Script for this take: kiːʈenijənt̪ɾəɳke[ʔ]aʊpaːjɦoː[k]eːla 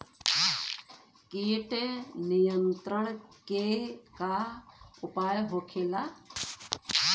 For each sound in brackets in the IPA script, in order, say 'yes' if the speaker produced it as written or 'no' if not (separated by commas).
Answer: no, no